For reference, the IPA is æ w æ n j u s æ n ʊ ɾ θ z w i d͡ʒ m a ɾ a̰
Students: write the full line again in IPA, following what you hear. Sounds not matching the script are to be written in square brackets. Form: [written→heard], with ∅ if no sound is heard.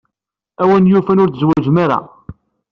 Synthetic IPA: æ w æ n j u [s→f] æ n ʊ ɾ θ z w [i→æ] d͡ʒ m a ɾ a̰